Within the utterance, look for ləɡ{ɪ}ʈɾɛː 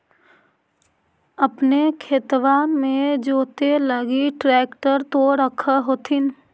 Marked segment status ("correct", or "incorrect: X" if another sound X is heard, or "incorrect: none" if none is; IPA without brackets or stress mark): incorrect: i